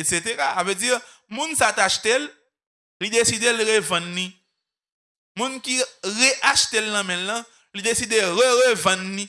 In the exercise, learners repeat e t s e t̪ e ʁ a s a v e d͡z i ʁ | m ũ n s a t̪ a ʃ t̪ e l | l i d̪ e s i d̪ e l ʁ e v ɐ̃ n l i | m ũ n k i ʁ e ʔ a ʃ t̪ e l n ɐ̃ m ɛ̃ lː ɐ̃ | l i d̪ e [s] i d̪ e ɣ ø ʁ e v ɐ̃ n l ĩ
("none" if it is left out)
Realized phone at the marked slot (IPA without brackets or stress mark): s